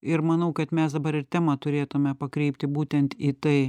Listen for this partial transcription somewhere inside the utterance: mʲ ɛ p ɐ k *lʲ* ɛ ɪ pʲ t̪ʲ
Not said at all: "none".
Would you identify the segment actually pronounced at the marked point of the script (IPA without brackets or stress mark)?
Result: ɾʲ